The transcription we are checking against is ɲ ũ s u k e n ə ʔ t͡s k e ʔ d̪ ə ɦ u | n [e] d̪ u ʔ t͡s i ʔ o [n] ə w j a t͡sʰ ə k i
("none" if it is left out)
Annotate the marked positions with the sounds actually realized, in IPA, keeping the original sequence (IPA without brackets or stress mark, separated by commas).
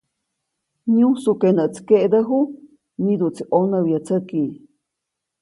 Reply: i, n